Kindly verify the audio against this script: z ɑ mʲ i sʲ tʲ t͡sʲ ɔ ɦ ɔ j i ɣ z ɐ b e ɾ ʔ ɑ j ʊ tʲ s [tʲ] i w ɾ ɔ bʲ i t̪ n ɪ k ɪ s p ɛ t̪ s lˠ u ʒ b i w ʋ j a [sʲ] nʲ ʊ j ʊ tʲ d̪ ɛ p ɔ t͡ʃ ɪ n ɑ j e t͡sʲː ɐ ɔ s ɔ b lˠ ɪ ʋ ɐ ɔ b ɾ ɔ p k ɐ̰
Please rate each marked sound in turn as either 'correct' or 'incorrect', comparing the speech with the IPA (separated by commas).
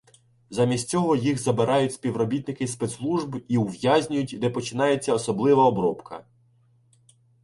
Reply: incorrect, incorrect